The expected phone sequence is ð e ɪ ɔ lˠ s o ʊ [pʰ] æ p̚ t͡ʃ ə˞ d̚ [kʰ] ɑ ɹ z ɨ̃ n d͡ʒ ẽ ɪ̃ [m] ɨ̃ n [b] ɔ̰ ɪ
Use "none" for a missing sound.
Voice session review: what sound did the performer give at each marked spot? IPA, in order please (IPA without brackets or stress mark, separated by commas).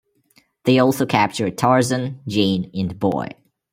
kʰ, tʰ, n, b